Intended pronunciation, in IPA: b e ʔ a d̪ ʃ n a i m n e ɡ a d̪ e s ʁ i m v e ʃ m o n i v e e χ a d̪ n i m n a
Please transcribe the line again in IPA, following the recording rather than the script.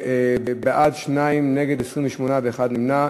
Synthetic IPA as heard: b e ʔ a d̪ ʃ n a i m n e ɡ e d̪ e s ʁ i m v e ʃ m o n a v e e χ a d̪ n i m n a